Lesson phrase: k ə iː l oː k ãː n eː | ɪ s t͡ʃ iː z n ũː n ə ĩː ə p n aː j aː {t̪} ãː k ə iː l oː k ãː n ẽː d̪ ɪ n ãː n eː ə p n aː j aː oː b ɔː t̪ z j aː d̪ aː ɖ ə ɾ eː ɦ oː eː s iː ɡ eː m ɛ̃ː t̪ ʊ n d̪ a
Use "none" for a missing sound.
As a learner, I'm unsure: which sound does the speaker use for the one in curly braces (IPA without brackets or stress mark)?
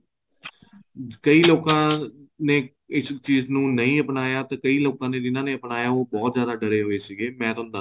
t̪